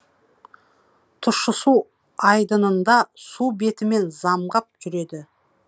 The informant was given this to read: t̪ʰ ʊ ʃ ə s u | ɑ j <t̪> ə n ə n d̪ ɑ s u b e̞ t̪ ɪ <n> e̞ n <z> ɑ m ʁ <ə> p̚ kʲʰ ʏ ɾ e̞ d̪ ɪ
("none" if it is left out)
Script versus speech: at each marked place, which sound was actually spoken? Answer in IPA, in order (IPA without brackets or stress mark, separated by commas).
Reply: d̪, m, z, ɑ